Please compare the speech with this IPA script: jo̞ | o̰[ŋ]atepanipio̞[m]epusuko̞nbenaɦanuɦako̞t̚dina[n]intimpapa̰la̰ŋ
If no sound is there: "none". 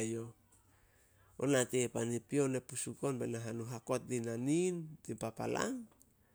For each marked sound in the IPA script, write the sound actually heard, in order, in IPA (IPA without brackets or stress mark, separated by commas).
n, n, n